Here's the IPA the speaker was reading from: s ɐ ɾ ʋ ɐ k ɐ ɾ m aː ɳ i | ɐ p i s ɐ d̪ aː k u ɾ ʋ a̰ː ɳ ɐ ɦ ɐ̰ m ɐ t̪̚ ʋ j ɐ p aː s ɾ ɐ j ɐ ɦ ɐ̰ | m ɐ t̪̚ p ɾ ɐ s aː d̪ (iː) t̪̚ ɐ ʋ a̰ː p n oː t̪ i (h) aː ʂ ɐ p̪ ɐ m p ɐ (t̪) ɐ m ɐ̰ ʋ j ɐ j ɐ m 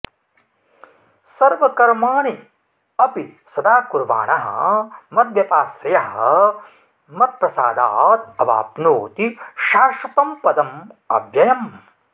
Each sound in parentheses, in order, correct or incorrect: incorrect, incorrect, incorrect

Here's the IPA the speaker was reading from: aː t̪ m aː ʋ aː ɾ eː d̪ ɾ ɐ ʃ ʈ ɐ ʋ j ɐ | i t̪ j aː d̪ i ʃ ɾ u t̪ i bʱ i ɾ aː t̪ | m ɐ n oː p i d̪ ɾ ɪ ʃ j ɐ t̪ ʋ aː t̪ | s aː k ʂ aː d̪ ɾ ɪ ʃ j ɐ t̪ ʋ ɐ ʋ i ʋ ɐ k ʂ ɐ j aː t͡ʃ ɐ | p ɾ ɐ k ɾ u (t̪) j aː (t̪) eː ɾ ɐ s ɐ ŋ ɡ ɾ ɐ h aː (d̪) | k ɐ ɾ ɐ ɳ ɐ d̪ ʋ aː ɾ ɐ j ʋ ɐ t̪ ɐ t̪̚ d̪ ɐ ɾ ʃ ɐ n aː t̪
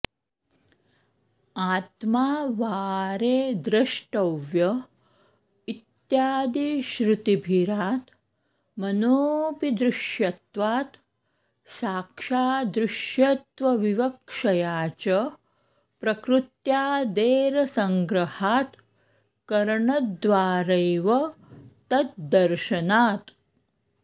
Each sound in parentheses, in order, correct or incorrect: correct, incorrect, incorrect

